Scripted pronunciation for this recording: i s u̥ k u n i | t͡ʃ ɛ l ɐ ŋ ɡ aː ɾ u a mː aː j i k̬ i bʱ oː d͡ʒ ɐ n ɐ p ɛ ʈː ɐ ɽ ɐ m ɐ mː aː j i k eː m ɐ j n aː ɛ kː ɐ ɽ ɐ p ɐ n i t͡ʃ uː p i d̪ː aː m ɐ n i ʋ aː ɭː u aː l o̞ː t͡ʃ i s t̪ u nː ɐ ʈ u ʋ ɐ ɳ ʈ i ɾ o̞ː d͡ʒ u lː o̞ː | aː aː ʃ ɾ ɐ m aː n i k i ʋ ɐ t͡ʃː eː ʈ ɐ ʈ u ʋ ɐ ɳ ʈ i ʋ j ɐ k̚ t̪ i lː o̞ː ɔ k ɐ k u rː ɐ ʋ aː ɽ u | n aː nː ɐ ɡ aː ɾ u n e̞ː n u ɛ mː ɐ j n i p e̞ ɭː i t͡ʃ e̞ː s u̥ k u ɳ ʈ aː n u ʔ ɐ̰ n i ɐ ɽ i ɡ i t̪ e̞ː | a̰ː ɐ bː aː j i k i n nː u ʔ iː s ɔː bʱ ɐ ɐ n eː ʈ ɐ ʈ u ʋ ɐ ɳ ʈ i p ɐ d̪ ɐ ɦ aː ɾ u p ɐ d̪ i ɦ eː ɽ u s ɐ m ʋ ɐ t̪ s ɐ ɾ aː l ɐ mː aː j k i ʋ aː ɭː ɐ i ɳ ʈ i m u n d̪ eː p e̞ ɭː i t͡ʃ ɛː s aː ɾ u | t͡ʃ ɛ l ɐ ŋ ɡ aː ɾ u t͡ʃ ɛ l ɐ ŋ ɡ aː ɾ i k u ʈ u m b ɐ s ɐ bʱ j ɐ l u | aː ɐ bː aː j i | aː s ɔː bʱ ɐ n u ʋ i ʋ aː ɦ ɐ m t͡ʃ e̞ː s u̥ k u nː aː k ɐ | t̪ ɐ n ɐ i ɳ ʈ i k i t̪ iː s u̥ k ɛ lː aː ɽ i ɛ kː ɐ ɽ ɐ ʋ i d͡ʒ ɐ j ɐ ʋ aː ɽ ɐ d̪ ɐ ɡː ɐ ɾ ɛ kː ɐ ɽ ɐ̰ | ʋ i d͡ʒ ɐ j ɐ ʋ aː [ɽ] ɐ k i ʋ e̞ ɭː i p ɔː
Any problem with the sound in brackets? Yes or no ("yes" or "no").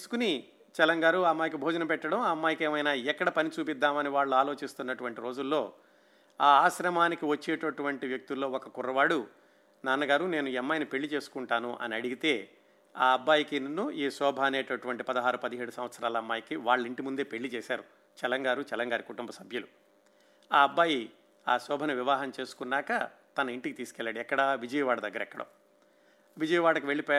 no